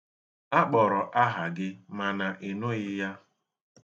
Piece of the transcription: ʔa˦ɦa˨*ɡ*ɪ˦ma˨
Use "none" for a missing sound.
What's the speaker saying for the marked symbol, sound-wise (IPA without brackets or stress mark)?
ɡ